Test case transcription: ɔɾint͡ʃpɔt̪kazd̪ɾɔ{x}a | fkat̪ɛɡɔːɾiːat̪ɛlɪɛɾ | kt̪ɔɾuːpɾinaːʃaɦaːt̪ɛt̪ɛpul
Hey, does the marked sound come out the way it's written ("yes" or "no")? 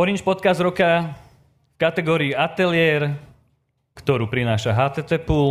no